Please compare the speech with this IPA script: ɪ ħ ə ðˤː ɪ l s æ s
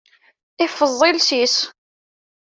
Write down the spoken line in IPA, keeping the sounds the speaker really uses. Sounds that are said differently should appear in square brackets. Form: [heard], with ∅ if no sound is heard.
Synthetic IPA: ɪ [f] ə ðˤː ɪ l s [i] s